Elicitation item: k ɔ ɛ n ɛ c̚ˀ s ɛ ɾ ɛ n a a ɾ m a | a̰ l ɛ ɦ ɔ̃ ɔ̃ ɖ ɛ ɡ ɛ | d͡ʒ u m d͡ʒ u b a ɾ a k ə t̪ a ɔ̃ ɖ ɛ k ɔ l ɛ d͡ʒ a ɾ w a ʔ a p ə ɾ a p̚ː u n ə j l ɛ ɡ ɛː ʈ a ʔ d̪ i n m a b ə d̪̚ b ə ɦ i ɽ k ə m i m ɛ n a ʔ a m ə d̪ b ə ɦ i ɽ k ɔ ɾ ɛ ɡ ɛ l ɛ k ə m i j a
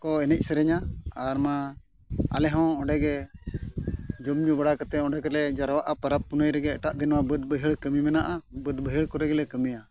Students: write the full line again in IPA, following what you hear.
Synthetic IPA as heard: k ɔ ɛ n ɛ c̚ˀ s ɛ ɾ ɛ ɲ a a ɾ m a | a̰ l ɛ ɦ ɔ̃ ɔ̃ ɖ ɛ ɡ ɛ | d͡ʒ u m d͡ʒ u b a ɽ a k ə t̪ ɛ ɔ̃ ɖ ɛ k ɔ l ɛ d͡ʒ a ɾ w a ʔ a p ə ɾ a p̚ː u n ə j ɾ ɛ ɡ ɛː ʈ a ʔ d̪ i n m a b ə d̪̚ b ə ɦ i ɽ k ə m i m ɛ n a ʔ a b ə d̪ b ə ɦ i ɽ k ɔ ɾ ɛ ɡ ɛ l ɛ k ə m i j a